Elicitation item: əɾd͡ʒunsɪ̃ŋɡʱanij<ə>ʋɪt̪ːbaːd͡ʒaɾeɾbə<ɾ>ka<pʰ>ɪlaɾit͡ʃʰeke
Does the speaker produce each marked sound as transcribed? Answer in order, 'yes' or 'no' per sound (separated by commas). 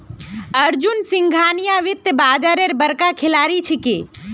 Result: no, yes, no